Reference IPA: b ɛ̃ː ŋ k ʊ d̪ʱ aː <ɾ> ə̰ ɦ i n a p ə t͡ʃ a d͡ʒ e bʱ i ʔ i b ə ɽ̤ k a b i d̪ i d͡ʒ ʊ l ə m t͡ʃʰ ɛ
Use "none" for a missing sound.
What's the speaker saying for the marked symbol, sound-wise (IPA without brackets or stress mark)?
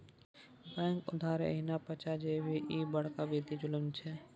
ɾ